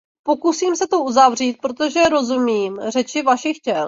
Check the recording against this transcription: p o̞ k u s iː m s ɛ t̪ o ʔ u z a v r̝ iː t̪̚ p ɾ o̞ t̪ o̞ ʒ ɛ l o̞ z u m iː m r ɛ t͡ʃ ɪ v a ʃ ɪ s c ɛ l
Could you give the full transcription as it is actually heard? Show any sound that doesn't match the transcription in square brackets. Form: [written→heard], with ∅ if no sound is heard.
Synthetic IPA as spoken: p o̞ k u s iː m s ɛ t̪ o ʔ u z a v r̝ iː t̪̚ p ɾ o̞ t̪ o̞ ʒ ɛ [l→ɾ] o̞ z u m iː m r ɛ t͡ʃ ɪ v a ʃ ɪ [s→x] c ɛ l